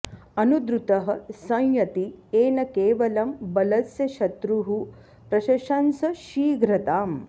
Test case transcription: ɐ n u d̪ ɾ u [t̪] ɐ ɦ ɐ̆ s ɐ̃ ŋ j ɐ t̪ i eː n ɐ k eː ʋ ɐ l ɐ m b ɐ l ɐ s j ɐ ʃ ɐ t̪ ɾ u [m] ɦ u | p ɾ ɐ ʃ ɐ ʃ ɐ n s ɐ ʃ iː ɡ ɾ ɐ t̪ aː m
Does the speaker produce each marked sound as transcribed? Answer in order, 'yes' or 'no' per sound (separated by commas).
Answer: yes, no